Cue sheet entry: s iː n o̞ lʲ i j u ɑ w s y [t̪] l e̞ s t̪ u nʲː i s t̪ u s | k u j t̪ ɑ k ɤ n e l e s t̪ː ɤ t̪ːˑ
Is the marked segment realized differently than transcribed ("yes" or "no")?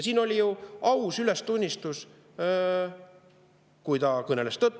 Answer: yes